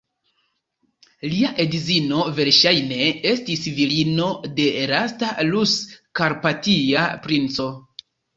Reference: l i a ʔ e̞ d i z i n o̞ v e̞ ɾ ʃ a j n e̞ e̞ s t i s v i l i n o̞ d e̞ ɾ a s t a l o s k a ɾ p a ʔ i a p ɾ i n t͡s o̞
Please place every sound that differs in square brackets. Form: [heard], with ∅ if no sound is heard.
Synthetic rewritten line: l i a ʔ e̞ d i z i n o̞ v e̞ ɾ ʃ a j n e̞ e̞ s t i s v i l i n o̞ d e̞ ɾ a s t a l [u] s k a ɾ p a [t] i a p ɾ i n t͡s o̞